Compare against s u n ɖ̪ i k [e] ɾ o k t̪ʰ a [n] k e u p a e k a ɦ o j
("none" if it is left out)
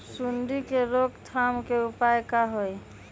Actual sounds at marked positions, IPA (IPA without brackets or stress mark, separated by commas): e, m